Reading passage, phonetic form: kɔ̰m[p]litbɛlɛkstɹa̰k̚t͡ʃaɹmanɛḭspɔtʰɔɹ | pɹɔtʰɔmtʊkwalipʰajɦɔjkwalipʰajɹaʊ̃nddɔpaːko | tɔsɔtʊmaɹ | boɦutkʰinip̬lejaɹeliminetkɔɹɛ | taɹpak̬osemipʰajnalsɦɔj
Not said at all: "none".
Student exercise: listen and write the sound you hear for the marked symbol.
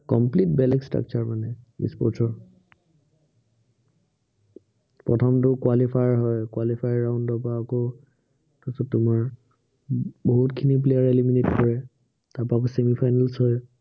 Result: p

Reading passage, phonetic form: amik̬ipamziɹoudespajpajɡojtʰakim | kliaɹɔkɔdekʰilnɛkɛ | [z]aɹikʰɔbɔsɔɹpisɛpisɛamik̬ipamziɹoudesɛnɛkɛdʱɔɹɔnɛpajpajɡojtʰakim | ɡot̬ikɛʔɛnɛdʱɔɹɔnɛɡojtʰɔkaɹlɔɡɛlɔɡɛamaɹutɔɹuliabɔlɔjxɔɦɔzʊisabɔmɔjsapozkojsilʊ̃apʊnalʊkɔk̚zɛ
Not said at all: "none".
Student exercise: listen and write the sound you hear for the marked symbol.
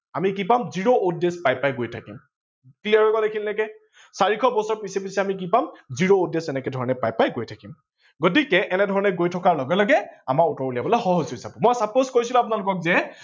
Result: s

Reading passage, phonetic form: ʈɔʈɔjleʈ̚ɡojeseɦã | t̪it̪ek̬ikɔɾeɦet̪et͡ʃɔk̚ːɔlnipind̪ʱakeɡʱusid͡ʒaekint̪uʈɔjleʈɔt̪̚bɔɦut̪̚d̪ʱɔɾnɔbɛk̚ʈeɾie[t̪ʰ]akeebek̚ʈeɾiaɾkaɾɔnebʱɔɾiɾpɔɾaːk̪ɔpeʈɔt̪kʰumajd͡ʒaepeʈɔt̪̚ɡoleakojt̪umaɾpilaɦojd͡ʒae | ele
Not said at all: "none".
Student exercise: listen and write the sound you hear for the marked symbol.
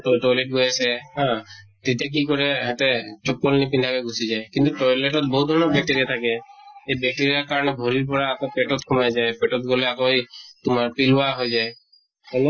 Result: t̪ʰ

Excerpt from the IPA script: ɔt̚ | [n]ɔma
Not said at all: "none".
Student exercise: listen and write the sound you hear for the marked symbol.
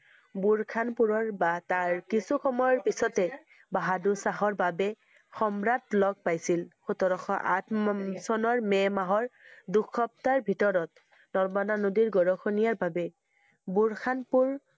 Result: n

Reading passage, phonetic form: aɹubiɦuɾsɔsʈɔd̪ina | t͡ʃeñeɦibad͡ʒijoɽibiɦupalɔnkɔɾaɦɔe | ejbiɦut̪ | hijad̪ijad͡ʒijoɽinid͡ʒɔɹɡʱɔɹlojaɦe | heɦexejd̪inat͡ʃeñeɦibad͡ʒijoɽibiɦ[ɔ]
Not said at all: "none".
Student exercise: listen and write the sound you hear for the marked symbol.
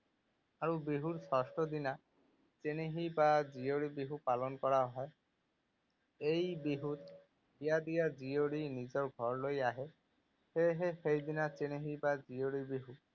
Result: u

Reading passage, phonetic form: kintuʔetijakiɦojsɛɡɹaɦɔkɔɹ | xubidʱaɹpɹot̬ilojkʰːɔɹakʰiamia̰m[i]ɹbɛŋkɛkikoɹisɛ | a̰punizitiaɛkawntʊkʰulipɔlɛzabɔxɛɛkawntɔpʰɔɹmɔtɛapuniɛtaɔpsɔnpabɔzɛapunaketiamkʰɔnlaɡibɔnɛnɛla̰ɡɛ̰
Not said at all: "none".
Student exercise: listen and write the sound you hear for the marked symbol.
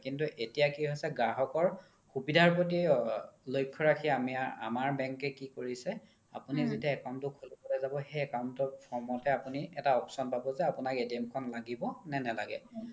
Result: a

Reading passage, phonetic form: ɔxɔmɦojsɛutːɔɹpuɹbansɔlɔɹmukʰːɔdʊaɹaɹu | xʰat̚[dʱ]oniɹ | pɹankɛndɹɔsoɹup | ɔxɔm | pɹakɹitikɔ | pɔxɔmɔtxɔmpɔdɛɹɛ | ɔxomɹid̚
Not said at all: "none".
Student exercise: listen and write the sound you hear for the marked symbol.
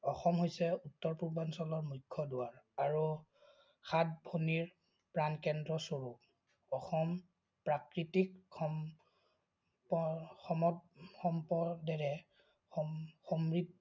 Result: bʱ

